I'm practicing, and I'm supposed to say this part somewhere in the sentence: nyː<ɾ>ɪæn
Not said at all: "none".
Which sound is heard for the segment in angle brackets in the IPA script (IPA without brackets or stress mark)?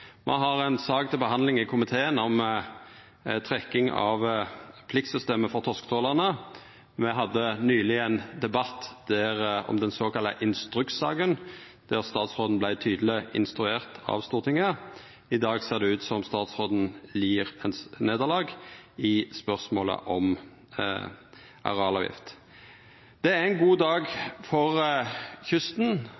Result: l